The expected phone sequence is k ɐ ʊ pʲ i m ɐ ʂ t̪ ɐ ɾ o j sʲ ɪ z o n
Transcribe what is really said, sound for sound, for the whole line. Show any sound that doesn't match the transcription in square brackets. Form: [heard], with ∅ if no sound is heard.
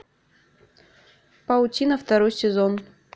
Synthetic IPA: [p] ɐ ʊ [tʲ] i [n] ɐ [f] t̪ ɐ ɾ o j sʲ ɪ z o n